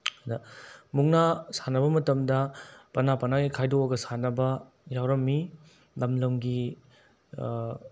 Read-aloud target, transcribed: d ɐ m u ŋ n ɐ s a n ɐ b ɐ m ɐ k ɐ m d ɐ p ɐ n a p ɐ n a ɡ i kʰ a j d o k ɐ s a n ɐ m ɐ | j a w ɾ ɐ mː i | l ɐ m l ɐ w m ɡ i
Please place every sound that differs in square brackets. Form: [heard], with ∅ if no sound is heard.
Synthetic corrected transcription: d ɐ m u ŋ n [a] s a n ɐ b ɐ m ɐ [t] ɐ m d ɐ p ɐ n a p ɐ n a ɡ i kʰ a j d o [ɡ] ɐ s a n ɐ [b] ɐ | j a w ɾ ɐ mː i | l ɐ m l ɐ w [ŋ] ɡ i